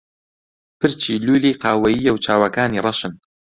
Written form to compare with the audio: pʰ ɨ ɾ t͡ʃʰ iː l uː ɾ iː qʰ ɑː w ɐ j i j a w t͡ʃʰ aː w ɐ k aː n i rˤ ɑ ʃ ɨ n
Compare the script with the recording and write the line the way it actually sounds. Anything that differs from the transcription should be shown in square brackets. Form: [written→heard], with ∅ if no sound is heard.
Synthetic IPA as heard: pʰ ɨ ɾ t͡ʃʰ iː l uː [ɾ→l] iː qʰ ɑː w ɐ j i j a w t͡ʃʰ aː w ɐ k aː n i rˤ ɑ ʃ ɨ n